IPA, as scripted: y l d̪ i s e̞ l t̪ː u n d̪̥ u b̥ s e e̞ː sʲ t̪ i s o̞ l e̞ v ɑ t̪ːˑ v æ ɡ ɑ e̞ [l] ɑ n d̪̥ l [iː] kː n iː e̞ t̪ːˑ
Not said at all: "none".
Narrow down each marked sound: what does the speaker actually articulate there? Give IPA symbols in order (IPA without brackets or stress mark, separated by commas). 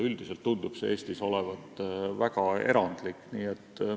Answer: ɾ, i